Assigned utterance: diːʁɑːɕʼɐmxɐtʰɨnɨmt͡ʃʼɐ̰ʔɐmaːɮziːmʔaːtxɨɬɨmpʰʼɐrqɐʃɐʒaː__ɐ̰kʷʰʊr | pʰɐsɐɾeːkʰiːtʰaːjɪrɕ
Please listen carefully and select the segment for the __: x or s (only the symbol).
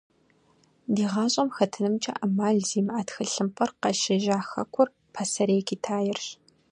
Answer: x